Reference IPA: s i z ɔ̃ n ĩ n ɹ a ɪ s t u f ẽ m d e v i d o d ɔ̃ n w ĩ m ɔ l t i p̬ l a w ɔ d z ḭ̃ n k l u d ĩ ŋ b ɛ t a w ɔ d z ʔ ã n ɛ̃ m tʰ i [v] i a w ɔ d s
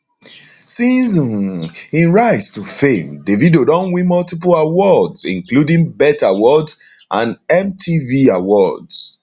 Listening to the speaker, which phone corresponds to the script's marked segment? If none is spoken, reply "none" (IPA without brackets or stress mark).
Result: v